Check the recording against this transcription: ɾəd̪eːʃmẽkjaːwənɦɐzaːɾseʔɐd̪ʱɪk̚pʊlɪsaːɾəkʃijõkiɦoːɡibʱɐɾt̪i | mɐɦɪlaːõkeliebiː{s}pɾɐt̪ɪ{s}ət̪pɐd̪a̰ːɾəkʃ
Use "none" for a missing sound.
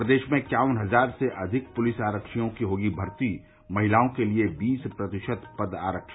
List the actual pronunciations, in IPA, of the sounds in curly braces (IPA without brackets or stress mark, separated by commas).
s, ʃ